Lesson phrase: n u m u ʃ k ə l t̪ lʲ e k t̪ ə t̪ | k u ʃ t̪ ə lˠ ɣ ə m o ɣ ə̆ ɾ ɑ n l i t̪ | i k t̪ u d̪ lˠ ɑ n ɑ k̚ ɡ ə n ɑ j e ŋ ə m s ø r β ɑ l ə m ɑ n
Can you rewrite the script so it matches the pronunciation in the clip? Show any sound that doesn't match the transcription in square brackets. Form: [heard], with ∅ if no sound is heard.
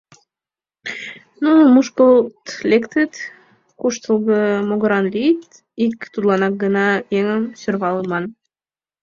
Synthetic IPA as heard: n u m u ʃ k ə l t̪ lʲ e k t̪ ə t̪ | k u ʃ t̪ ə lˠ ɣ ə m o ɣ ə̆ ɾ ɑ n l i t̪ | i k t̪ u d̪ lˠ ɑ n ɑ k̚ ɡ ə n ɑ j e ŋ ə m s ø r β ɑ l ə m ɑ n